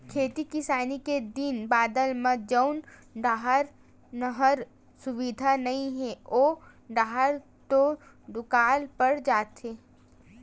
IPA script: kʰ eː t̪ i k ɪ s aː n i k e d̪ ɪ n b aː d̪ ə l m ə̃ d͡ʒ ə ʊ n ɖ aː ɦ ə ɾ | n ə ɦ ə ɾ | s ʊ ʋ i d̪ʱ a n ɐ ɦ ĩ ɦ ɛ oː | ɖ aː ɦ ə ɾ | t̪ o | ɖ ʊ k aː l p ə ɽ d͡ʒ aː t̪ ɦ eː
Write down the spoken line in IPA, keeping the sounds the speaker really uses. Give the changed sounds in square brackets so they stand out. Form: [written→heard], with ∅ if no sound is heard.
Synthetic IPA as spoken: kʰ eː t̪ i k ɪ s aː n i k e d̪ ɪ n b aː d̪ ə l m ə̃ d͡ʒ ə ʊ n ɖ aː ɦ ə ɾ | n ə ɦ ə ɾ | s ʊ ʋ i d̪ʱ a n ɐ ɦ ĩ ɦ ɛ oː | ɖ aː ɦ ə ɾ | t̪ o | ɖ ʊ k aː l p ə ɽ d͡ʒ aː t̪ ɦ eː